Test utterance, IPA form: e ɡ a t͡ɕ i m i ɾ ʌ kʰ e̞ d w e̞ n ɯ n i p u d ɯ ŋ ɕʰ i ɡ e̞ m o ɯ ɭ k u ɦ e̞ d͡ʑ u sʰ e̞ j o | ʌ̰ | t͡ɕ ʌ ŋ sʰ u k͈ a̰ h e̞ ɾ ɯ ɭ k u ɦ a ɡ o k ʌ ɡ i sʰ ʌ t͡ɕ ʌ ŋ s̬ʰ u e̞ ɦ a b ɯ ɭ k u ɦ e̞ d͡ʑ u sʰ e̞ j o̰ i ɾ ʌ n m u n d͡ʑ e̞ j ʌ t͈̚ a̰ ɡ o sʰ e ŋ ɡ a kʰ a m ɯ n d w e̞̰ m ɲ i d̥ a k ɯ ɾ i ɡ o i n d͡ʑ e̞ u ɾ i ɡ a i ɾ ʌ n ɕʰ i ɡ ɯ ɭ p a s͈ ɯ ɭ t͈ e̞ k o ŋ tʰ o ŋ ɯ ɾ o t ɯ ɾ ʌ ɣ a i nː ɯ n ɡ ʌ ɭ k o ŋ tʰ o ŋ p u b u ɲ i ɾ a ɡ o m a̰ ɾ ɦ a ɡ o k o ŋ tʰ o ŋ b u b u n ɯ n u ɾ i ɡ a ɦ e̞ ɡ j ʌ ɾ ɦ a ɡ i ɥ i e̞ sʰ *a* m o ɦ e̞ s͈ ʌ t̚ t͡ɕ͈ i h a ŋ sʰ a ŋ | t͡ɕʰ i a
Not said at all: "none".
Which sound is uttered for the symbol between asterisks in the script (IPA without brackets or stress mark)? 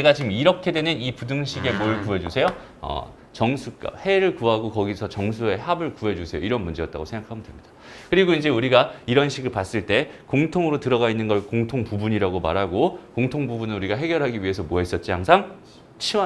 ʌ